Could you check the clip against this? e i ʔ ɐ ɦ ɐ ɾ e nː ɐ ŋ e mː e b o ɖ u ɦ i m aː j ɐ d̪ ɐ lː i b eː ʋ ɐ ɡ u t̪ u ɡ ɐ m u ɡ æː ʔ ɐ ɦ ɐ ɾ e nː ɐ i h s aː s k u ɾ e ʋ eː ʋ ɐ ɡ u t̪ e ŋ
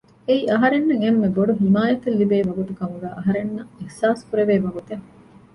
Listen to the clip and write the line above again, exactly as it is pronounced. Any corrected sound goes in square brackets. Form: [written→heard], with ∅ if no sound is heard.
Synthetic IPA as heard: e i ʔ ɐ ɦ ɐ ɾ e nː ɐ ŋ e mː e b o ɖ u ɦ i m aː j ɐ [d̪→t̪] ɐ lː i b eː ʋ ɐ ɡ u t̪ u [ɡ→k] ɐ m u ɡ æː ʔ ɐ ɦ ɐ ɾ e nː ɐ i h s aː s k u ɾ e ʋ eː ʋ ɐ ɡ u t̪ e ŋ